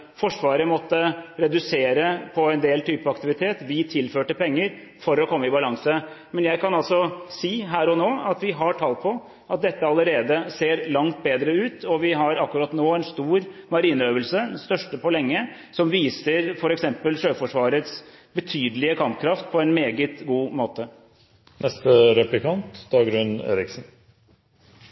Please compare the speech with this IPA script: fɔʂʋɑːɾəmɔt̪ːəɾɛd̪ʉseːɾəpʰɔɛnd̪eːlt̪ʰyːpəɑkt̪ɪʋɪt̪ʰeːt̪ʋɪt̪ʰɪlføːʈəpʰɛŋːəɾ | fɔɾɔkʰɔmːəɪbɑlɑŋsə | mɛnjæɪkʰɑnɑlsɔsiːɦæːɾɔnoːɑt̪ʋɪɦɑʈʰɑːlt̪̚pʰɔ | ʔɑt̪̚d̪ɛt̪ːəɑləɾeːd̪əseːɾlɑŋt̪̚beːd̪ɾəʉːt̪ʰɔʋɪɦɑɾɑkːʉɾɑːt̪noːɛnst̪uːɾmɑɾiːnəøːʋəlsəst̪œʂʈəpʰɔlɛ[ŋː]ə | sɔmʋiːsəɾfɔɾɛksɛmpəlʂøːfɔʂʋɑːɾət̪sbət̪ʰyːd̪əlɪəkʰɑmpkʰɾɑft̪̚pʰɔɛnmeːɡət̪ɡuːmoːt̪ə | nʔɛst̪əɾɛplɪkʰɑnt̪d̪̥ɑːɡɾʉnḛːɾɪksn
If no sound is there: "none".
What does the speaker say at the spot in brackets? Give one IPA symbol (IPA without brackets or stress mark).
ŋː